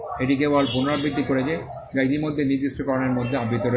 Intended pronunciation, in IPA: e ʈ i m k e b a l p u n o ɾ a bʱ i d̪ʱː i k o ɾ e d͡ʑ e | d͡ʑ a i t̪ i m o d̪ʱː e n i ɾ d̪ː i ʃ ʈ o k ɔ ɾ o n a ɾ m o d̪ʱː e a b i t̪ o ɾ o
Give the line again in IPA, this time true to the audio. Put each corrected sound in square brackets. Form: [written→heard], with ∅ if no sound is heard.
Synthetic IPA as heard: e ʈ i [m→∅] k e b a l p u n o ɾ a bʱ i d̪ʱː i k o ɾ e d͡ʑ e | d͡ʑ a i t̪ i m o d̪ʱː e n i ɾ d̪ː i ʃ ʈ o k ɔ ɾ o n [a→e] ɾ m o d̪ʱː e a b i t̪ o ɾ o